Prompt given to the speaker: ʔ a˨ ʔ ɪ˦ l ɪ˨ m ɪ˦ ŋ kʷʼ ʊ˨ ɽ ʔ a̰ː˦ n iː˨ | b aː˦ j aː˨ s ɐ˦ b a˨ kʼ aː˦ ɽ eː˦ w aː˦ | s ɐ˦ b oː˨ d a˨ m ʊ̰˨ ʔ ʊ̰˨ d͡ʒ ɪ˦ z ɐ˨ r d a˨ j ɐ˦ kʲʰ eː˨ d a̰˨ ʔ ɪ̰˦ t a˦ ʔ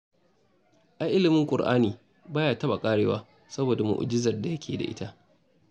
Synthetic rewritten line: ʔ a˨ ʔ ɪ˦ l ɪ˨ m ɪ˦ ŋ kʷʼ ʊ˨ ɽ ʔ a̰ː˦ n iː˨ | b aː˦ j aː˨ t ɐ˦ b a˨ kʼ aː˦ ɽ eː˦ w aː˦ | s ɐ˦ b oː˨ d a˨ m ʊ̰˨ ʔ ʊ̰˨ d͡ʒ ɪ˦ z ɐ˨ r d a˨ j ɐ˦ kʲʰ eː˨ d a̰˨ ʔ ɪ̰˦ t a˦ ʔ